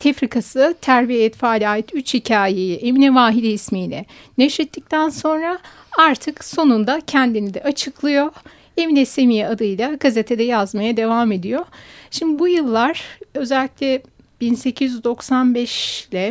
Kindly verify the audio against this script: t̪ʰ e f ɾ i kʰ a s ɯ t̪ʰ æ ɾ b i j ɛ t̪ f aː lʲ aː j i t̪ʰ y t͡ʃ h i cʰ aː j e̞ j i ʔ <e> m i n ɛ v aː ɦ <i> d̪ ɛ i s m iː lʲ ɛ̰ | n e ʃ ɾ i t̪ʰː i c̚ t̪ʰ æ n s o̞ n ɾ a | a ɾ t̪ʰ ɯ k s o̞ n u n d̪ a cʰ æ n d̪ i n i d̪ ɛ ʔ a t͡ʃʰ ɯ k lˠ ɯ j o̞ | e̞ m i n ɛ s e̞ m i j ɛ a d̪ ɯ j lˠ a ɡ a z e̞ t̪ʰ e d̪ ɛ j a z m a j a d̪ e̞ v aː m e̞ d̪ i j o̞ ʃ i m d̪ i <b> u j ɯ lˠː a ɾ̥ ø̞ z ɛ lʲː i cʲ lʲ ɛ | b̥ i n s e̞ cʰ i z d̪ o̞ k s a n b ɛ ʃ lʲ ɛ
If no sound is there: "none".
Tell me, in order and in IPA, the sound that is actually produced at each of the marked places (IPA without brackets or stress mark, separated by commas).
e, i, b